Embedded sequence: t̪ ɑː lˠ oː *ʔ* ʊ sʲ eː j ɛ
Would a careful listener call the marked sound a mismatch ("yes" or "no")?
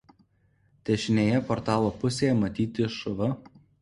yes